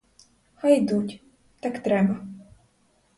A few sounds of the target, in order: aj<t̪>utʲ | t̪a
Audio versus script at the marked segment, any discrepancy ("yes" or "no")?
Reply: yes